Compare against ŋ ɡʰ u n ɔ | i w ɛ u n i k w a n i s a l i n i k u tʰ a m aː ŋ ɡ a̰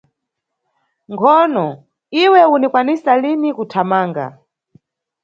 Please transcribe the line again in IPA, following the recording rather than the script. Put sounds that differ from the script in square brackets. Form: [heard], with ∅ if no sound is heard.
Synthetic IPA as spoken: ŋ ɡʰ [ɔ] n ɔ | i w ɛ u n i k w a n i s a l i n i k u tʰ a m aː ŋ ɡ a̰